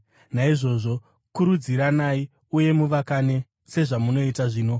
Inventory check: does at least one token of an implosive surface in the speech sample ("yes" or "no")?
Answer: no